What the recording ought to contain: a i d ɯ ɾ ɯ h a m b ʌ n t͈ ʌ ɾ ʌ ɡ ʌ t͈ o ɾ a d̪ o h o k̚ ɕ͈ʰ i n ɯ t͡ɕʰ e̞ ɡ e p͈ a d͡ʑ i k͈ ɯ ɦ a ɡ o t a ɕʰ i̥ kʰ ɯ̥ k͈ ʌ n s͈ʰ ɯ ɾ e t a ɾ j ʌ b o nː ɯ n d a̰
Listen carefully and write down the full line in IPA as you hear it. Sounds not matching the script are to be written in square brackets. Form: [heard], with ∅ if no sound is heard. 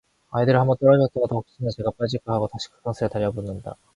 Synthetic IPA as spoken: a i d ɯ ɾ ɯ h a m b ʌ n t͈ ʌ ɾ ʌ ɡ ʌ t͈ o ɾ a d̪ o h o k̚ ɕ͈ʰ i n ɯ [t͡ɕ] e̞ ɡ [a] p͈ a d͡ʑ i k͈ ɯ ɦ a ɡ o t a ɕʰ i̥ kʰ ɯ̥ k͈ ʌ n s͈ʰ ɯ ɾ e t a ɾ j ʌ b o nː ɯ n d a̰